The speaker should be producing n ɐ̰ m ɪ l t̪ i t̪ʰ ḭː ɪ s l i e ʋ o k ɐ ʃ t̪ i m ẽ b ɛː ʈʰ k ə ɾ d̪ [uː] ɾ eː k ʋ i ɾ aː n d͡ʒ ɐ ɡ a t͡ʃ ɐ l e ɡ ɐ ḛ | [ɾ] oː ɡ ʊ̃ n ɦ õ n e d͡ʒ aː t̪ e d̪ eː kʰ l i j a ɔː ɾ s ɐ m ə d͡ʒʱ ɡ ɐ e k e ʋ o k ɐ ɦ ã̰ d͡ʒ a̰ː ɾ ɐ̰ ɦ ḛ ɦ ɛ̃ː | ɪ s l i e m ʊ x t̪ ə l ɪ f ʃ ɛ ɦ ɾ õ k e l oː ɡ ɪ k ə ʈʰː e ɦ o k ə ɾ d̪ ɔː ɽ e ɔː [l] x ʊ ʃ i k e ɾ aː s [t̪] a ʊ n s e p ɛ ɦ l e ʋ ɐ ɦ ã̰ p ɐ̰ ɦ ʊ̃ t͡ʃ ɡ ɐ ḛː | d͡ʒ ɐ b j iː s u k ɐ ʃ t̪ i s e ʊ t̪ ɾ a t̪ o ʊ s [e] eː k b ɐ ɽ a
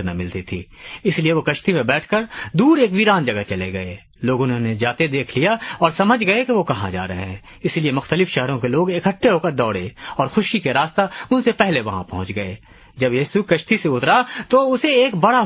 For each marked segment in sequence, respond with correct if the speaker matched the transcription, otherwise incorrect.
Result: correct, incorrect: l, incorrect: ɾ, correct, correct

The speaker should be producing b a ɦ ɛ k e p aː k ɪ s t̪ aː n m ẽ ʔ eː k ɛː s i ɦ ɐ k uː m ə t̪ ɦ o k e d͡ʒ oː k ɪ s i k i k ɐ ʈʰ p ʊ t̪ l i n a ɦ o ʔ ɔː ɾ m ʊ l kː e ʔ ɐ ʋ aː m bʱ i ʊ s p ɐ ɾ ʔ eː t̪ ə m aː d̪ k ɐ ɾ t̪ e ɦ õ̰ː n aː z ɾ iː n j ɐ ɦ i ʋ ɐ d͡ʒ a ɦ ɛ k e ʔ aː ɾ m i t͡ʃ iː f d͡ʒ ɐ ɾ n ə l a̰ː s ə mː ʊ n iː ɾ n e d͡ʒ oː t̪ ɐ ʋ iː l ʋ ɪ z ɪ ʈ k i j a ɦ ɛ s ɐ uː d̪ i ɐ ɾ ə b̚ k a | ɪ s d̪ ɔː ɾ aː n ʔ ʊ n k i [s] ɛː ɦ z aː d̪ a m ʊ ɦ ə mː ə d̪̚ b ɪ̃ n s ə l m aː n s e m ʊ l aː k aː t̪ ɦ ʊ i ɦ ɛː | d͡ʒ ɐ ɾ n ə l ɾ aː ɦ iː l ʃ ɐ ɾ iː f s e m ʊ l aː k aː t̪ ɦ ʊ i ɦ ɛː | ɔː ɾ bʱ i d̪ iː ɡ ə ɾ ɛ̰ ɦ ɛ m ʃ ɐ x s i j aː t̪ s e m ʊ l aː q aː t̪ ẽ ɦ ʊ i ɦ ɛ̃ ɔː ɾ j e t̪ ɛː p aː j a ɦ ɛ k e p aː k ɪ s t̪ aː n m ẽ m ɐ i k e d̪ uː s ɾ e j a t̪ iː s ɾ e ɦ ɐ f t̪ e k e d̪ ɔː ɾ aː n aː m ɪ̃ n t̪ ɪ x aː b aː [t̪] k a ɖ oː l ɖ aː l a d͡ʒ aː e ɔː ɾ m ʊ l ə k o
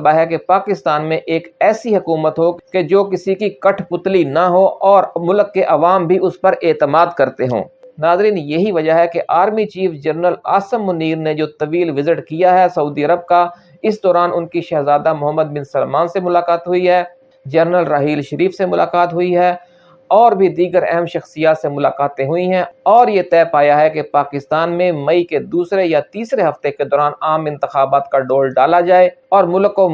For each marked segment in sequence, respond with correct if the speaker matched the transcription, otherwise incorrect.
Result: incorrect: ʃ, correct

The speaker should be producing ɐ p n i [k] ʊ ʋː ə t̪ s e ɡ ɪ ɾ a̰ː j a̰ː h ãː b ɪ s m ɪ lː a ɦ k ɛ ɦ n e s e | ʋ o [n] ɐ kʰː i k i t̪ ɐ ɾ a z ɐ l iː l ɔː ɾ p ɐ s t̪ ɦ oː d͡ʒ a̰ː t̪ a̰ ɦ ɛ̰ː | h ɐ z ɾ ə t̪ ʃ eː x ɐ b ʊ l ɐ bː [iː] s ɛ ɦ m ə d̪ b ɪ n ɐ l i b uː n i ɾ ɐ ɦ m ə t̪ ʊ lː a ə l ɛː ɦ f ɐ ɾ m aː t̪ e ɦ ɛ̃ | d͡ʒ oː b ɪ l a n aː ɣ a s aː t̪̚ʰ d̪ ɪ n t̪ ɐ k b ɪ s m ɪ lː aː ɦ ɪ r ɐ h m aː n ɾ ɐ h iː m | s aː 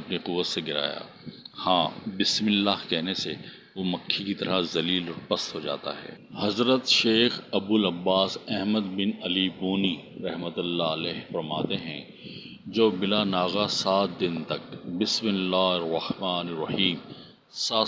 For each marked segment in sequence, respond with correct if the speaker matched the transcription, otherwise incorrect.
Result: incorrect: q, incorrect: m, incorrect: aː

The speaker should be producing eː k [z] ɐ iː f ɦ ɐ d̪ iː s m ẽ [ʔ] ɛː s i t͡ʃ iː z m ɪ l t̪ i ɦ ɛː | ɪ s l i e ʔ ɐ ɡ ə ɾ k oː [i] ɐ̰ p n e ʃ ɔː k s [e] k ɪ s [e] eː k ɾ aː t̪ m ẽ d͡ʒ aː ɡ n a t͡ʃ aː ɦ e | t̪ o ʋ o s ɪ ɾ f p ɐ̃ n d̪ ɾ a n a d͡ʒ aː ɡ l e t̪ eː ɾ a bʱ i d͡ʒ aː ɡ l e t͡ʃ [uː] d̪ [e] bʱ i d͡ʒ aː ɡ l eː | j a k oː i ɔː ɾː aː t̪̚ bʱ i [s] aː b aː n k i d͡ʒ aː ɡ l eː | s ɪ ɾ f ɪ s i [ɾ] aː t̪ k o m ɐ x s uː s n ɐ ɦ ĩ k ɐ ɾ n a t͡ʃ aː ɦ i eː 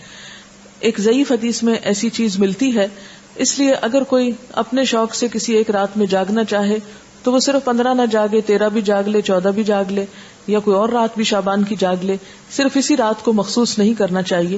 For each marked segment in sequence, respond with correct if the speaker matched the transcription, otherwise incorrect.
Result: correct, correct, correct, correct, incorrect: i, incorrect: ɔː, incorrect: a, incorrect: ʃ, correct

